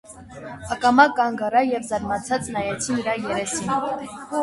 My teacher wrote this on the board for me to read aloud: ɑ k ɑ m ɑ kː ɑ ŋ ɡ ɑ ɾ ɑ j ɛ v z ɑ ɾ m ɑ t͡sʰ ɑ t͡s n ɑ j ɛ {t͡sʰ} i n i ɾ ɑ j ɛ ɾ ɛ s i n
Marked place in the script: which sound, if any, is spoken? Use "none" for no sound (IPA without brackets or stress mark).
t͡sʰ